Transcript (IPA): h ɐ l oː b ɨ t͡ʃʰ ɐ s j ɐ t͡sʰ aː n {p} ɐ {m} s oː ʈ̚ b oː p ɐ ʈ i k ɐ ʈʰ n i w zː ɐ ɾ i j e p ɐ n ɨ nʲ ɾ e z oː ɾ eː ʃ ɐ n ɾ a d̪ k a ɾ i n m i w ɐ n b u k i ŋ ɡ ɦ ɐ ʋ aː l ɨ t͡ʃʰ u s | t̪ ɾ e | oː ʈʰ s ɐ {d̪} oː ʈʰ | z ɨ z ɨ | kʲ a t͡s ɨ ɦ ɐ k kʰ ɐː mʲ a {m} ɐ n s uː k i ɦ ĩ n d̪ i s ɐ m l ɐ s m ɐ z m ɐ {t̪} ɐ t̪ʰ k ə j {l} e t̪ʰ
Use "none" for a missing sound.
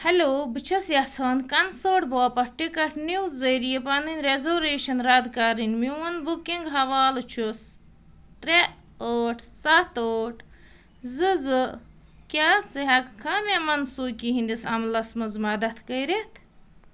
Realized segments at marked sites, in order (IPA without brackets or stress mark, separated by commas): k, n, t̪, m, d̪, ɾ